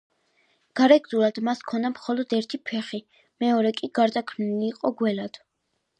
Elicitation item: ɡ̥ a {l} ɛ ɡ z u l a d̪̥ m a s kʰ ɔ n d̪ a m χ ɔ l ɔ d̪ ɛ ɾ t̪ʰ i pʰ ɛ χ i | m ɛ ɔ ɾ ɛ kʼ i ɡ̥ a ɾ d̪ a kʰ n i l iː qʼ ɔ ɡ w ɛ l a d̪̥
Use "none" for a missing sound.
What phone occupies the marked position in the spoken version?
ɾ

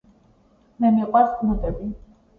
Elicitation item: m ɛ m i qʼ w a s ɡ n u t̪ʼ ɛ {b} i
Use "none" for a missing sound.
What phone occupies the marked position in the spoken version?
b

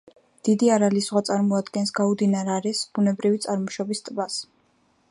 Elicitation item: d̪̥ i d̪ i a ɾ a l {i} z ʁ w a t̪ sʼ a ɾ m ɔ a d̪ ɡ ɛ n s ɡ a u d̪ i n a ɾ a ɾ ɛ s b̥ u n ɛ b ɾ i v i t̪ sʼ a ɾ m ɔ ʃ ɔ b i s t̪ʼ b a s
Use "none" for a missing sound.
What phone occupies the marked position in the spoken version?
i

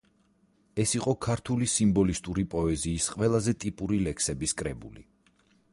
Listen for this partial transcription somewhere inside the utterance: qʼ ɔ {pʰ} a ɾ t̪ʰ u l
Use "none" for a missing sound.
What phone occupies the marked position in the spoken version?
kʰ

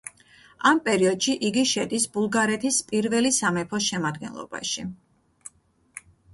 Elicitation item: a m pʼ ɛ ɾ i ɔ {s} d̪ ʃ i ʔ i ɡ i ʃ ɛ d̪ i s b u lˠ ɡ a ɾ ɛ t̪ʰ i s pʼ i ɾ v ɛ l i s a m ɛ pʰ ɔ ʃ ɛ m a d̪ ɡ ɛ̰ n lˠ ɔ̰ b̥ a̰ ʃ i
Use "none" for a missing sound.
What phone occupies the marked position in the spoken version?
none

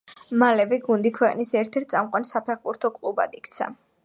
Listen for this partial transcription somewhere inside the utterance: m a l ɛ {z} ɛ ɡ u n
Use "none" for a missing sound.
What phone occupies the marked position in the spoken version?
v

